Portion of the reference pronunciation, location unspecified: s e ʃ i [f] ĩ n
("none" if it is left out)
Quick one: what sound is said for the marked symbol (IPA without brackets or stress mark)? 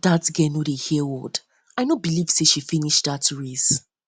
f